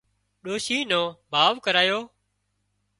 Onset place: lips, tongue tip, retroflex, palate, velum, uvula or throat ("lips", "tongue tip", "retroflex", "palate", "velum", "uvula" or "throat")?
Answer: tongue tip